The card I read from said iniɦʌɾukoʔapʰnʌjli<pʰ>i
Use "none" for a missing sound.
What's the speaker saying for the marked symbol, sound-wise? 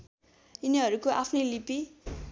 p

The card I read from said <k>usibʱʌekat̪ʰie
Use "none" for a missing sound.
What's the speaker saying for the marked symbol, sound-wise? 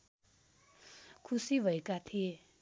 kʰ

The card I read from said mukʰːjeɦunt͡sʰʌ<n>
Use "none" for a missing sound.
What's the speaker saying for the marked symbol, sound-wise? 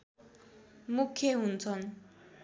n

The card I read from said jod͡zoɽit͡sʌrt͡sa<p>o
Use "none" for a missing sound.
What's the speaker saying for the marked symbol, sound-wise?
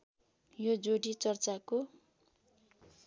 k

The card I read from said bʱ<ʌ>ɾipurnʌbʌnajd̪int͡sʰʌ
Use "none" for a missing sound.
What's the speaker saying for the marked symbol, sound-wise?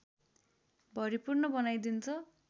ʌ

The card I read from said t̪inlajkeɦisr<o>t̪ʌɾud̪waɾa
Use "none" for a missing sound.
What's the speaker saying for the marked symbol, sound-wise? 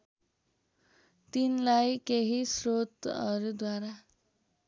o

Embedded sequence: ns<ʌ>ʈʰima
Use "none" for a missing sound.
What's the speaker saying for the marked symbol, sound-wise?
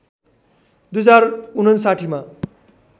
a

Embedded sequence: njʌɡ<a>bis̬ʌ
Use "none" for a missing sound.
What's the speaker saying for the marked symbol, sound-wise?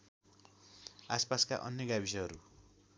a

